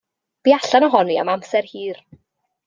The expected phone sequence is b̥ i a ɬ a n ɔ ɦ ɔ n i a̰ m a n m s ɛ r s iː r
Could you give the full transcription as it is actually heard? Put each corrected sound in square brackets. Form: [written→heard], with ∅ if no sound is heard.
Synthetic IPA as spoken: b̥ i a ɬ a n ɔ ɦ ɔ n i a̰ m a [n→∅] m s ɛ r [s→h] iː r